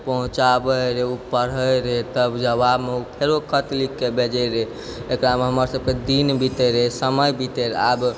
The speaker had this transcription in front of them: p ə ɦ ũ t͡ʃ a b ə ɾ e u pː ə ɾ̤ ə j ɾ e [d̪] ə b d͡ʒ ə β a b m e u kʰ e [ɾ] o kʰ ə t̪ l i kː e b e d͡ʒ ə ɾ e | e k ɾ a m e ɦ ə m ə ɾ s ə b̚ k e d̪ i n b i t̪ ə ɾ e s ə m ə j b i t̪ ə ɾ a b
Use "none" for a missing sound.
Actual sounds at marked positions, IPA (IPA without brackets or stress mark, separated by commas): t̪, ɾ